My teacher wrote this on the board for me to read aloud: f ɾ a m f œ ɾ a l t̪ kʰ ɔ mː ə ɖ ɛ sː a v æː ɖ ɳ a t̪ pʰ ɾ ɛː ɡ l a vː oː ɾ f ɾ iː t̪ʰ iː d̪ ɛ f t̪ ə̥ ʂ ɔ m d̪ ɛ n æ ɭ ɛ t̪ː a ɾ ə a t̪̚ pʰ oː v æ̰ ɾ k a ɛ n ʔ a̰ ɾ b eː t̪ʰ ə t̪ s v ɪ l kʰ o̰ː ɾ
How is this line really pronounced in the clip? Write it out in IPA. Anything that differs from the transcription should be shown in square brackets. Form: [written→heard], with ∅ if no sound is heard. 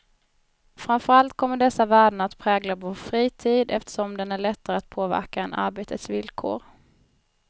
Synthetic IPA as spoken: f ɾ a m f œ ɾ a l t̪ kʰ ɔ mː ə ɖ ɛ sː a v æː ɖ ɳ a t̪ pʰ ɾ ɛː ɡ l a [vː→v] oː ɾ f ɾ iː t̪ʰ iː d̪ ɛ f t̪ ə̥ ʂ ɔ m d̪ ɛ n æ ɭ ɛ t̪ː a ɾ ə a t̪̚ pʰ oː v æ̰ ɾ k a ɛ n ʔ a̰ ɾ b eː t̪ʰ ə t̪ s v ɪ l kʰ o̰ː ɾ

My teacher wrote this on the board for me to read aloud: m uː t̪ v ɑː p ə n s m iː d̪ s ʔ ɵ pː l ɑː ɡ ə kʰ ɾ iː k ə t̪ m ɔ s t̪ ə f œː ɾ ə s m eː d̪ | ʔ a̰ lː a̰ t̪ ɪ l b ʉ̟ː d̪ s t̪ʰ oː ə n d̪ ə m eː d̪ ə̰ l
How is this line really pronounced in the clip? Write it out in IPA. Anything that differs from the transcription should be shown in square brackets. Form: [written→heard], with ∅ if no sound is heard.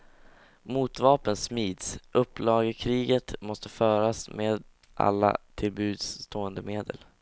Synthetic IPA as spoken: m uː t̪ v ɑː p ə n s m iː d̪ s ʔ ɵ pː l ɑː ɡ ə kʰ ɾ iː [k→ɡ] ə t̪ m ɔ s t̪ ə f œː ɾ [ə→a] s m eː d̪ | ʔ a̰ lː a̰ [t̪→t̪ʰ] ɪ l b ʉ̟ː d̪ s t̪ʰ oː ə n d̪ ə m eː d̪ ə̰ l

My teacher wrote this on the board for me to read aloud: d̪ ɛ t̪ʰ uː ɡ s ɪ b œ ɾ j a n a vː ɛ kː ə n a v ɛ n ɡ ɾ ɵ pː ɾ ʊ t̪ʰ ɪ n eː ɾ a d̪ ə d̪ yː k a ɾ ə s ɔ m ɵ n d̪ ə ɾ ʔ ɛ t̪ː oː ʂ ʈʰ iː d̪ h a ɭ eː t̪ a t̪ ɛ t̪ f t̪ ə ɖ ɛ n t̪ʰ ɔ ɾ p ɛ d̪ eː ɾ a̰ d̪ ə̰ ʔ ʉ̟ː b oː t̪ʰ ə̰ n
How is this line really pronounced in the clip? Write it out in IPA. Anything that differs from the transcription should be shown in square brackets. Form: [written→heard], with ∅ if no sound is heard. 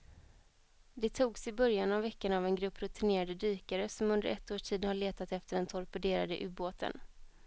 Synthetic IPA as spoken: d̪ ɛ t̪ʰ uː ɡ s ɪ b œ ɾ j a n a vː ɛ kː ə n a v ɛ n ɡ ɾ ɵ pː ɾ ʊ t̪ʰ ɪ n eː ɾ a d̪ ə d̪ yː k a ɾ ə s ɔ m ɵ n d̪ ə ɾ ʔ ɛ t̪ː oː ʂ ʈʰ iː d̪ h a ɭ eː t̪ a t̪ ɛ [t̪→∅] f t̪ ə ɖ ɛ n t̪ʰ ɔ ɾ p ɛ d̪ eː ɾ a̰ d̪ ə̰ ʔ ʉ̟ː b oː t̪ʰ ə̰ n

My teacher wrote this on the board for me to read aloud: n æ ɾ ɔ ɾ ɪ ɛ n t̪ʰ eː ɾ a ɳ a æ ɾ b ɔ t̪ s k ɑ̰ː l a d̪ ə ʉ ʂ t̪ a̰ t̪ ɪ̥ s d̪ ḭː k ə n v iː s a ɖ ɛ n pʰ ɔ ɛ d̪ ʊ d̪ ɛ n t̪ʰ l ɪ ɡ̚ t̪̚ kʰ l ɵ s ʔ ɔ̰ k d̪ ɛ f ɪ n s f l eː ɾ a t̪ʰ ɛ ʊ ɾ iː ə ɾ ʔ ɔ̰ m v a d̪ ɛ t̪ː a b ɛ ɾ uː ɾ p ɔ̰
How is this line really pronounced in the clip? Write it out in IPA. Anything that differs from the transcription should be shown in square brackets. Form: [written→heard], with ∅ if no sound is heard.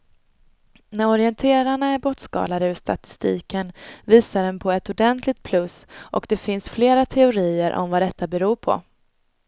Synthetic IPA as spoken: n æ ɾ ɔ ɾ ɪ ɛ n t̪ʰ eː ɾ a ɳ a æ ɾ b ɔ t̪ s k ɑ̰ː l a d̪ ə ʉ ʂ t̪ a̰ t̪ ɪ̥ s [d̪→t̪] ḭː k ə n v iː s a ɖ ɛ n pʰ ɔ ɛ [d̪→t̪] ʊ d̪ ɛ n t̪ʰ l ɪ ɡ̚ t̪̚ [kʰ→pʰ] l ɵ s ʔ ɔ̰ k d̪ ɛ f ɪ n s f l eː ɾ a t̪ʰ ɛ ʊ ɾ iː ə ɾ ʔ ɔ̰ m v a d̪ ɛ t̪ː a b ɛ ɾ uː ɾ [p→pʰ] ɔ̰

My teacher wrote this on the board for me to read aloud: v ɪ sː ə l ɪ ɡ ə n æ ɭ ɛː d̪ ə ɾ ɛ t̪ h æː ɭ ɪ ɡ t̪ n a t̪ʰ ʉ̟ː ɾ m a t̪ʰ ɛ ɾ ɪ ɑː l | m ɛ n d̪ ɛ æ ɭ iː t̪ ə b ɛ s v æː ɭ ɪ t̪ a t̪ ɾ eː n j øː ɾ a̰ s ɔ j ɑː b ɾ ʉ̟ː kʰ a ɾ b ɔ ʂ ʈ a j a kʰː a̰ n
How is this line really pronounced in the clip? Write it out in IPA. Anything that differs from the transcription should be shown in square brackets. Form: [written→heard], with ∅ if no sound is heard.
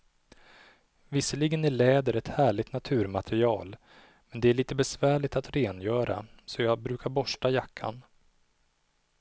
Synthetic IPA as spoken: v ɪ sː ə l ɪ ɡ ə n æ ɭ ɛː d̪ ə ɾ ɛ t̪ h æː ɭ ɪ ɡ t̪ n a t̪ʰ ʉ̟ː ɾ m a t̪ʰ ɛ ɾ ɪ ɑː l | m ɛ n d̪ ɛ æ ɭ iː t̪ ə b ɛ s v æː ɭ ɪ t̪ a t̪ ɾ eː n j [øː→œː] ɾ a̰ s ɔ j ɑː b ɾ ʉ̟ː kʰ a ɾ b ɔ ʂ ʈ a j a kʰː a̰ n

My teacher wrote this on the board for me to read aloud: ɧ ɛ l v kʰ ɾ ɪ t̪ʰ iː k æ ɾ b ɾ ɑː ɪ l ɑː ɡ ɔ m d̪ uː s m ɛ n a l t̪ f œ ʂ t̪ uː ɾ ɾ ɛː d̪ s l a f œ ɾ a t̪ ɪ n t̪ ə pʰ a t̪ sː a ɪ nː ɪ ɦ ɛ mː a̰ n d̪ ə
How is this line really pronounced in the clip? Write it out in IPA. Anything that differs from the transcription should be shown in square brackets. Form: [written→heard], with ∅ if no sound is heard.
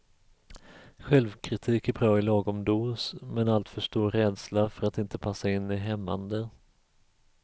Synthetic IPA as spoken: ɧ ɛ l v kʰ ɾ ɪ t̪ʰ iː k æ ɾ b ɾ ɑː ɪ l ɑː ɡ ɔ m d̪ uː s m ɛ n a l t̪ f œ ʂ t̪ uː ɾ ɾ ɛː d̪ s l a f œ ɾ a t̪ ɪ n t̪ ə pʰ a [t̪→∅] sː a ɪ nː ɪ ɦ ɛ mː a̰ n d̪ ə

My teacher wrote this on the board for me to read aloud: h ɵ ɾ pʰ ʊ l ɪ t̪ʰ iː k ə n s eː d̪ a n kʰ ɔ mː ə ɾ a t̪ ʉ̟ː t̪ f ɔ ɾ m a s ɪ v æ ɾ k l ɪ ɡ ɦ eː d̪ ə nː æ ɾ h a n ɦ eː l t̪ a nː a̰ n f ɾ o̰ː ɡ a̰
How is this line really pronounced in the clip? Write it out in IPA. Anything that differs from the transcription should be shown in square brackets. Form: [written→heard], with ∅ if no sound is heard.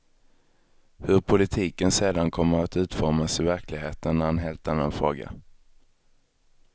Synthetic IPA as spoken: h ɵ ɾ pʰ ʊ l ɪ t̪ʰ iː k ə n s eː d̪ a n kʰ ɔ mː ə ɾ a t̪ ʉ̟ː t̪ f ɔ ɾ m a s ɪ v æ ɾ k l ɪ ɡ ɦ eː [d̪→t̪] ə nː æ ɾ h a n ɦ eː l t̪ a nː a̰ n f ɾ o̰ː ɡ a̰

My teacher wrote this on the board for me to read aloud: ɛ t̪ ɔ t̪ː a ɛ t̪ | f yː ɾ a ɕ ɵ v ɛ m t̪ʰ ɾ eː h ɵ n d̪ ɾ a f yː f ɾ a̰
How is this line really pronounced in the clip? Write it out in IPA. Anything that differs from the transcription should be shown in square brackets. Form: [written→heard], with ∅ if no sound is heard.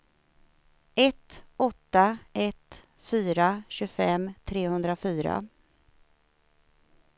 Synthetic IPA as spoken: ɛ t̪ ɔ t̪ː a ɛ t̪ | f yː ɾ a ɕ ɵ [v→f] ɛ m t̪ʰ ɾ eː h ɵ n d̪ ɾ a f yː [f→∅] ɾ a̰

